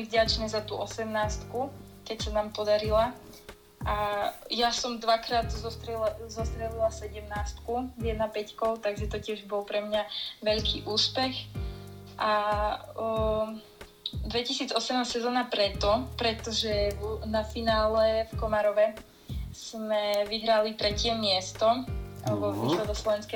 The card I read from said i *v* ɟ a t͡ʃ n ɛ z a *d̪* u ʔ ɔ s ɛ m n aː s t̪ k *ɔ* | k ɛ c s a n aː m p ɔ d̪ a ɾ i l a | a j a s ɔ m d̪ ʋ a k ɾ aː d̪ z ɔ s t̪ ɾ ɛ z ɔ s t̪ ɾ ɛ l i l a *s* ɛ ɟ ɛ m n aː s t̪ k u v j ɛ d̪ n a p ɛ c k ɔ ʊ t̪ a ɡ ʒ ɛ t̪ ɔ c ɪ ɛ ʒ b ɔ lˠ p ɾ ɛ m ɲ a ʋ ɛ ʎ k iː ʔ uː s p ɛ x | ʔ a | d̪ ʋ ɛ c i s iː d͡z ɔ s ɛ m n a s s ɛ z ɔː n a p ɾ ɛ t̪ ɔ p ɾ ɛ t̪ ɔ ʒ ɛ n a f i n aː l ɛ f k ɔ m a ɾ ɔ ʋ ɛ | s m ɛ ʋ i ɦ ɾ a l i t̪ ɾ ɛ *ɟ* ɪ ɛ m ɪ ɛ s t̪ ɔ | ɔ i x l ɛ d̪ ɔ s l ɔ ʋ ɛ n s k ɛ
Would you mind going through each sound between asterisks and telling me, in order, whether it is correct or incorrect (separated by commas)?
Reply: correct, incorrect, incorrect, correct, incorrect